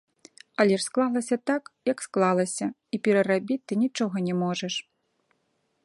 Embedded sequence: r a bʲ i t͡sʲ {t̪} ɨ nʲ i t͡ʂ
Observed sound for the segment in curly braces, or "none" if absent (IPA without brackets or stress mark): t̪